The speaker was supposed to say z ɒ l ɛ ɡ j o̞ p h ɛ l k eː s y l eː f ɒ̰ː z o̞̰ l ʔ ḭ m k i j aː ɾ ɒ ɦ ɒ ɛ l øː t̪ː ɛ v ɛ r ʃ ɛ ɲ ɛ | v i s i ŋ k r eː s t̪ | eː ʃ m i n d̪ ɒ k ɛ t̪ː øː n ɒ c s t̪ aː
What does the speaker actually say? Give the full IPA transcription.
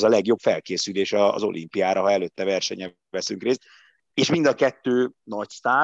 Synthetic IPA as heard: z ɒ l ɛ ɡ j o̞ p f ɛ l k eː s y l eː ʃ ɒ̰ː z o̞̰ l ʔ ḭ m p i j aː ɾ ɒ ɦ ɒ ɛ l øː t̪ː ɛ v ɛ r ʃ ɛ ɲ ɛ | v ɛ s y ŋ k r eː s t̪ | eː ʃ m i n d̪ ɒ k ɛ t̪ː øː n ɒ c s t̪ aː